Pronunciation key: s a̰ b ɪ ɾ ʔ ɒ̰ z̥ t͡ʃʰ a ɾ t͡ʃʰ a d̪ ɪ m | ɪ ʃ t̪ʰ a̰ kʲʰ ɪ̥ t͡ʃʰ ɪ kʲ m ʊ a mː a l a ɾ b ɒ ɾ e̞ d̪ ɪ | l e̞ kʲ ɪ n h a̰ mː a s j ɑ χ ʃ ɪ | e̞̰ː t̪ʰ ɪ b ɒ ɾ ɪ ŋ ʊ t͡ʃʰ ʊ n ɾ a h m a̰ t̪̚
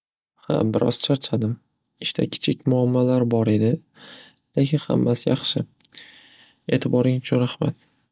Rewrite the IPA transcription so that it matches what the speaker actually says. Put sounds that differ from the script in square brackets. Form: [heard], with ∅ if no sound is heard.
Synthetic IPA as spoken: [h] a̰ b ɪ ɾ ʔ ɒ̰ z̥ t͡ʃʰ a ɾ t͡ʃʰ a d̪ ɪ m | ɪ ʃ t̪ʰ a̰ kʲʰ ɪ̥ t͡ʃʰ ɪ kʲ m ʊ a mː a l a ɾ b ɒ ɾ e̞ d̪ ɪ | l e̞ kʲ ɪ n h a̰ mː a s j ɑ χ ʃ ɪ | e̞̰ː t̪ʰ ɪ b ɒ ɾ ɪ ŋ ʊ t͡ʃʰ ʊ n ɾ a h m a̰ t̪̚